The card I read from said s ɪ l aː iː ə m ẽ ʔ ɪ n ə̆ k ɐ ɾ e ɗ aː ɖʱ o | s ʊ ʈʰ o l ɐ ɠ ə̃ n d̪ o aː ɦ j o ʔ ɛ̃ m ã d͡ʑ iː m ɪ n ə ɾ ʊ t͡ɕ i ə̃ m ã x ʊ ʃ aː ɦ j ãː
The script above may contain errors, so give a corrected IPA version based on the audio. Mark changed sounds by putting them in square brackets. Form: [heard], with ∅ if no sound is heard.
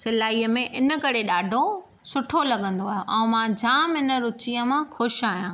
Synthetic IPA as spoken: s ɪ l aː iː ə m ẽ ʔ ɪ n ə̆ k ɐ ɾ e ɗ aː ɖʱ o | s ʊ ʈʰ o l ɐ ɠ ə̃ n d̪ o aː ɦ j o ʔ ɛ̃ m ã d͡ʑ [aː] m ɪ n ə ɾ ʊ t͡ɕ i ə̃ m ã x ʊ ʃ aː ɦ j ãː

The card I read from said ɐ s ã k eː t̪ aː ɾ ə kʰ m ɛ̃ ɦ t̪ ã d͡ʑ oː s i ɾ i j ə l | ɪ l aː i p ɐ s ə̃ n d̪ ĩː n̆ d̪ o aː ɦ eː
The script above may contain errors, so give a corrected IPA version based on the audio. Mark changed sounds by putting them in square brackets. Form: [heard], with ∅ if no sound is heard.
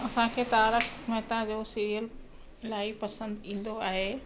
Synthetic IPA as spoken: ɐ s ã [kʰ] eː t̪ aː ɾ ə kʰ m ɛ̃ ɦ t̪ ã d͡ʑ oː s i ɾ i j ə l | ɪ l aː i p ɐ s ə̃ n d̪ ĩː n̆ d̪ o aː ɦ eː

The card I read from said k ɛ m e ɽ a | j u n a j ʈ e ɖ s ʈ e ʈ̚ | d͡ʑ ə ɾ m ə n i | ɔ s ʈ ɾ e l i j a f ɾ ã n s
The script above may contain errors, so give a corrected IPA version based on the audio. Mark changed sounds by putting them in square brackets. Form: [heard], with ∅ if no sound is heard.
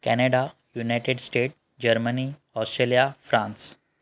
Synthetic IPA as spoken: k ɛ [n] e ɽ a | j u n a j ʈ e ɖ s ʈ e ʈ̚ | d͡ʑ ə ɾ m ə n i | ɔ s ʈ ɾ e l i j a f ɾ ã n s

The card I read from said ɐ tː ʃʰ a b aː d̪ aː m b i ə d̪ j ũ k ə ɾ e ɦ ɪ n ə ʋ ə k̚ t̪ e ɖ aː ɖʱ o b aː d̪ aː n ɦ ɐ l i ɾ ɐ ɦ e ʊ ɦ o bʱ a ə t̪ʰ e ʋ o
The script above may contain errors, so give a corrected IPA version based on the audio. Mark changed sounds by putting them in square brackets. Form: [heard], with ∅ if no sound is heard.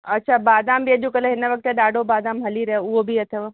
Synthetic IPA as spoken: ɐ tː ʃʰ a b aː d̪ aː m b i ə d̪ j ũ k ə [l] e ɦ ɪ n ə ʋ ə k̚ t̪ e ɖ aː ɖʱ o b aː d̪ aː [m] ɦ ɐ l i ɾ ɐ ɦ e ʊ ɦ o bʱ [i] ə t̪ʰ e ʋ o

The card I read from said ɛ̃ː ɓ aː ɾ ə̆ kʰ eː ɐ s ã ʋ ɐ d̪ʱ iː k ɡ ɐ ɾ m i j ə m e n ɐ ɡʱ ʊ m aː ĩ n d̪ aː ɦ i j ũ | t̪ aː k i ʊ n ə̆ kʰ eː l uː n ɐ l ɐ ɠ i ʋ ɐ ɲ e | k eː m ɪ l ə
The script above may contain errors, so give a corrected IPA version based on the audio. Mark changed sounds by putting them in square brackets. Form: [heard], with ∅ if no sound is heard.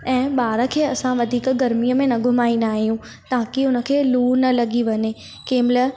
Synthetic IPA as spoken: ɛ̃ː ɓ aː ɾ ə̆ kʰ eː ɐ s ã ʋ ɐ d̪ʱ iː k ɡ ɐ ɾ m i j ə m [ẽ] n ɐ ɡʱ ʊ m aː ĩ n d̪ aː ɦ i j ũ | t̪ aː k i ʊ n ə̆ kʰ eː l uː n ɐ l ɐ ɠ i ʋ ɐ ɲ e | k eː m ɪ l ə

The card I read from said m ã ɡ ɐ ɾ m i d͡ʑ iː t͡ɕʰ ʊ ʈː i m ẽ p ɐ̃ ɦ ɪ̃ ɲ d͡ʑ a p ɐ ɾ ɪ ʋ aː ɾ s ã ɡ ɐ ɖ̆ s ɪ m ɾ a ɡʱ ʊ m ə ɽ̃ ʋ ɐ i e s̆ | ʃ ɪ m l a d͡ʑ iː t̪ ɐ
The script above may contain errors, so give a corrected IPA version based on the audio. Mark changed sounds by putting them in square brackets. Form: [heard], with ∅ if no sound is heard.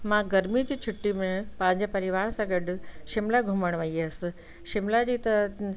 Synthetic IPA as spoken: m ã ɡ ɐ ɾ m i d͡ʑ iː t͡ɕʰ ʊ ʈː i m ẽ p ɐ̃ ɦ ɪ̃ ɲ d͡ʑ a p ɐ ɾ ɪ ʋ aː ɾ s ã ɡ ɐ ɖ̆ [ʃ] ɪ m [l] a ɡʱ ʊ m ə ɽ̃ ʋ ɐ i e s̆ | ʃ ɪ m l a d͡ʑ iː t̪ ɐ

